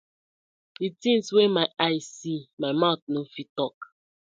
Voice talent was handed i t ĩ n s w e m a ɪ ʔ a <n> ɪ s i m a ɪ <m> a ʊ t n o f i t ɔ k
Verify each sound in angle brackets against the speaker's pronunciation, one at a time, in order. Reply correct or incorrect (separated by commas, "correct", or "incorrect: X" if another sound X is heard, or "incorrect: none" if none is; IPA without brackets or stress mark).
incorrect: none, correct